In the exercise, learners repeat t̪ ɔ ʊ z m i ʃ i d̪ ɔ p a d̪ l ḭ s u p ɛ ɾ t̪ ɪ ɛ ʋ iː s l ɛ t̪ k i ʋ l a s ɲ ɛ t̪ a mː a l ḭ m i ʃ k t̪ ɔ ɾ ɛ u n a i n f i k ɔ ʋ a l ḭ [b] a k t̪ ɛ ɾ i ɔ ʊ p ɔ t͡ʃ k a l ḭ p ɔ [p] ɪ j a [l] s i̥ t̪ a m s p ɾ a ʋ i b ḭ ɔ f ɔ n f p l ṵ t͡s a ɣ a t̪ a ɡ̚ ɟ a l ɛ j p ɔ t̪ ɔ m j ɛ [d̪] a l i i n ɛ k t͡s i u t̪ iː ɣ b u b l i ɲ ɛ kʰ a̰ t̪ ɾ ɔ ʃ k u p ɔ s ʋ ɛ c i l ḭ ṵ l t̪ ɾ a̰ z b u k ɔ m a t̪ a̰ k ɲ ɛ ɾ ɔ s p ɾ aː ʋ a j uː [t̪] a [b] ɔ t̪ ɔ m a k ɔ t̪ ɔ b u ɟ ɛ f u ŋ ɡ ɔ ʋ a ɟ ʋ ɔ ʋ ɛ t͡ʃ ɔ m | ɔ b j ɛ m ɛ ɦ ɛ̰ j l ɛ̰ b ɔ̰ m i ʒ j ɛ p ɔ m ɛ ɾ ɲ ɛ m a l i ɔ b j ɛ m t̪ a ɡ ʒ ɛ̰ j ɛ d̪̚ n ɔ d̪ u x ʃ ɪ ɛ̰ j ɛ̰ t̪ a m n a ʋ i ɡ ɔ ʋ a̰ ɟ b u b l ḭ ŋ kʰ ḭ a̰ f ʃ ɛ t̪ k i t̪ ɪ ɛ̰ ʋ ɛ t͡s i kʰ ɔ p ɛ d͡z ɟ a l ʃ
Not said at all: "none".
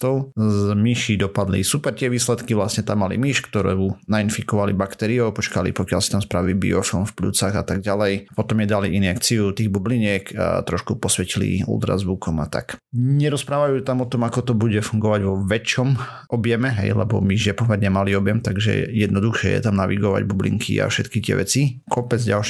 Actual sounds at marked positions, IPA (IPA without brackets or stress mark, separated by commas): b, k, l, d̪, t̪, m